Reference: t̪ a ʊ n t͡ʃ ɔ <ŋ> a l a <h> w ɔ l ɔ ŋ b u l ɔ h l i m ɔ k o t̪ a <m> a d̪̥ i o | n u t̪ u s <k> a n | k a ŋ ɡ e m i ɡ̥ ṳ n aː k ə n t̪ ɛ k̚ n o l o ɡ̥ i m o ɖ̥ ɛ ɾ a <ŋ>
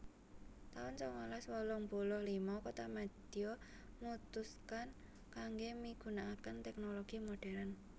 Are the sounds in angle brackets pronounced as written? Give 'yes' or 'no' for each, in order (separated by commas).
yes, no, yes, yes, no